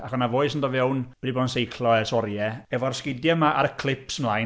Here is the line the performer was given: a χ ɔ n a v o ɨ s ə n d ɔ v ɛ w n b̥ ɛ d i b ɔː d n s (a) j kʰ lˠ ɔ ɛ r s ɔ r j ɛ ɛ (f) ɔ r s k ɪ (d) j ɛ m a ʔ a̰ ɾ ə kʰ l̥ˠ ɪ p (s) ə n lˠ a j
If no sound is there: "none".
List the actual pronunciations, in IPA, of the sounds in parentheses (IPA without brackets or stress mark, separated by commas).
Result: e, v, d, s